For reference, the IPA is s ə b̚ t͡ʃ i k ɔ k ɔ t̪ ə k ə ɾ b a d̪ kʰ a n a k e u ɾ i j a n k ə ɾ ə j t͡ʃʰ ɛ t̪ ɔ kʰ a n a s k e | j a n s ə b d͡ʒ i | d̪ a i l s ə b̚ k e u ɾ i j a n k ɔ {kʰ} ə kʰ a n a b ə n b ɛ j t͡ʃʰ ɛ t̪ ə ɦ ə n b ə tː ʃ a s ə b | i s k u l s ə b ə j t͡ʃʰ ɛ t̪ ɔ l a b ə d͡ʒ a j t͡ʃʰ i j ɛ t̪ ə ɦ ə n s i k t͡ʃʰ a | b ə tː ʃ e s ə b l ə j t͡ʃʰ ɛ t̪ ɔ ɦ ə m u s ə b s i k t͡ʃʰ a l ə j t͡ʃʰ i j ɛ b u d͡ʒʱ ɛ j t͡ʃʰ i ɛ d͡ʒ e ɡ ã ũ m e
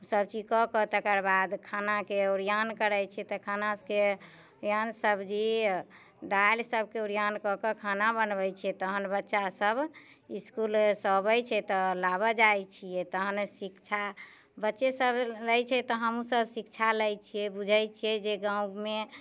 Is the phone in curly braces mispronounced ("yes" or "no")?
yes